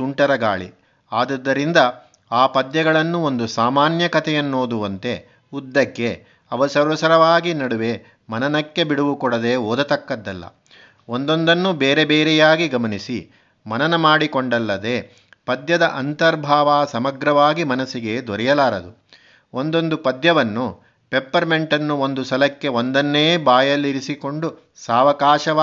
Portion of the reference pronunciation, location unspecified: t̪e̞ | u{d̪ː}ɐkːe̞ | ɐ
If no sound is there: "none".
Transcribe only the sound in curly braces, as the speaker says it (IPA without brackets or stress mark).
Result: d̪ː